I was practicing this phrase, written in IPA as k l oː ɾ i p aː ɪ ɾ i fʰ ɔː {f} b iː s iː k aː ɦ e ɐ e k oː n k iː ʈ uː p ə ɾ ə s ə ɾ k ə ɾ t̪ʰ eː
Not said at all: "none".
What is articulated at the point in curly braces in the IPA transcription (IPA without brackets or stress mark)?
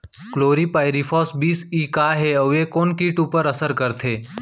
s